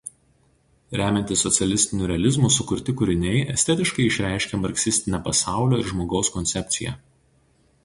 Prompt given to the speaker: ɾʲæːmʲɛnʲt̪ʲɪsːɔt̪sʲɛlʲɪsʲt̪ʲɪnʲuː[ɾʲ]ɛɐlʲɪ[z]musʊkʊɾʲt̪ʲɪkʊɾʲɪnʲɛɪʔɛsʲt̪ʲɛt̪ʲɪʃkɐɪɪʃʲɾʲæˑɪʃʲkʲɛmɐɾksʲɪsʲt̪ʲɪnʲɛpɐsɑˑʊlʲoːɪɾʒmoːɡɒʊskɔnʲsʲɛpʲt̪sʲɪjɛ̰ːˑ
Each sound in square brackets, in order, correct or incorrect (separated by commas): correct, correct